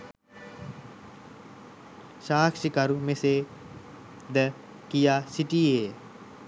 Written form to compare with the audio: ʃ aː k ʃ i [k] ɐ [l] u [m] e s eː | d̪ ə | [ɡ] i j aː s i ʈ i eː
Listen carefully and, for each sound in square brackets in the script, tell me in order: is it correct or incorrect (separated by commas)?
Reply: correct, incorrect, correct, incorrect